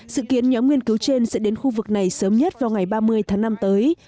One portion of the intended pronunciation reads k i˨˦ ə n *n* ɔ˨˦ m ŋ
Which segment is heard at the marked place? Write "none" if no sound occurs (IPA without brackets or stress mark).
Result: ɲ